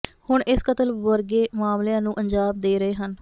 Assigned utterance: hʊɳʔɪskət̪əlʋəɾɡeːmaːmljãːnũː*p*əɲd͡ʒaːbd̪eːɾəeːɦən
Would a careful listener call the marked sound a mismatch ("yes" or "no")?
yes